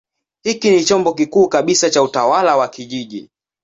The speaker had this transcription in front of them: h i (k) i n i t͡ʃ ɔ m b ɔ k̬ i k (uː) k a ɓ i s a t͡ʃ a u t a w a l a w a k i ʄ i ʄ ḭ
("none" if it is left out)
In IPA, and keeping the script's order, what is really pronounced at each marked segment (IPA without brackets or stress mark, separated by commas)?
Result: k, uː